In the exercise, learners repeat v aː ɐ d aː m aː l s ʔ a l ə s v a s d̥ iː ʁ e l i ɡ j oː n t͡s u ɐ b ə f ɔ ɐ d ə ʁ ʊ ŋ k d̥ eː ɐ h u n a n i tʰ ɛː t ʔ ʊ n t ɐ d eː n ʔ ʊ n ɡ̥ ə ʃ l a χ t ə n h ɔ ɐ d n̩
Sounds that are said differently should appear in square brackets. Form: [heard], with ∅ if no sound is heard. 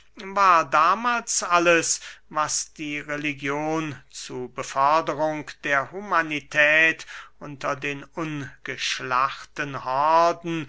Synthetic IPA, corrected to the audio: v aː ɐ d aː m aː l s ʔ a l ə s v a s d̥ iː ʁ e l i ɡ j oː n t͡s u ɐ b ə f ɔ ɐ d ə ʁ ʊ ŋ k d̥ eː ɐ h u [m] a n i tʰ ɛː t ʔ ʊ n t ɐ d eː n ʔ ʊ n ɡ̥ ə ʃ l a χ t ə n h ɔ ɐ d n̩